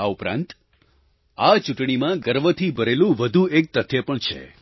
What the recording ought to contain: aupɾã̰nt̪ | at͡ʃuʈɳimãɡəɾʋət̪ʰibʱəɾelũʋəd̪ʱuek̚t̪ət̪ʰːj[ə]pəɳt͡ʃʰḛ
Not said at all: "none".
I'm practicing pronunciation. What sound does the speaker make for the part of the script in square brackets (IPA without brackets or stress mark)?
ə